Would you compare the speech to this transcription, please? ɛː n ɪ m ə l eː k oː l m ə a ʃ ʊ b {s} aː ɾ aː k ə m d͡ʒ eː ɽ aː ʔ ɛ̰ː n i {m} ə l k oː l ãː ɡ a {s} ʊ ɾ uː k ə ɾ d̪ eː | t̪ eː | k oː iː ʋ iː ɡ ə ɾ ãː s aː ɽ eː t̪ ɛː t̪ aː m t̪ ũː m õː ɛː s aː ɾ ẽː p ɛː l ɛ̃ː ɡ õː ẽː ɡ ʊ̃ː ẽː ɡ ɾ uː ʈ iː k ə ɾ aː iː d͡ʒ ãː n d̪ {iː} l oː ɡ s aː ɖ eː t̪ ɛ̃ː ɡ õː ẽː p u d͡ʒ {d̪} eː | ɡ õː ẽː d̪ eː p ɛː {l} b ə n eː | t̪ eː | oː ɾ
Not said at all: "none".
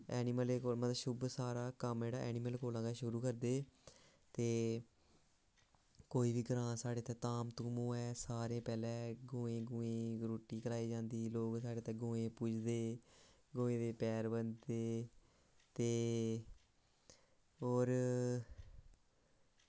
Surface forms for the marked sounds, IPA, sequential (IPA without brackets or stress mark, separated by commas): s, m, ʃ, iː, d̪, ɾ